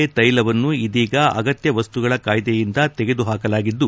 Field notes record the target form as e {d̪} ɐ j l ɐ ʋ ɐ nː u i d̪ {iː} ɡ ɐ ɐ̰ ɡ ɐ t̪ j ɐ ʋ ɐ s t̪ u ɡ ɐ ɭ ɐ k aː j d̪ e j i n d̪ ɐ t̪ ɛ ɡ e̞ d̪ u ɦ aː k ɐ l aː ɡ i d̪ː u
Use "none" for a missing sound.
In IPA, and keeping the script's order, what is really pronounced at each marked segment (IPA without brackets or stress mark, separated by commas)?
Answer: t̪, iː